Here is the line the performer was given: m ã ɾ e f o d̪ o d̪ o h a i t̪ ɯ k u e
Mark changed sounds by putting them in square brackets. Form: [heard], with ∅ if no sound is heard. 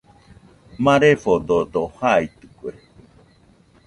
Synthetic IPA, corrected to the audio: m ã ɾ e f o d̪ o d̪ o h a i t̪ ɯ k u e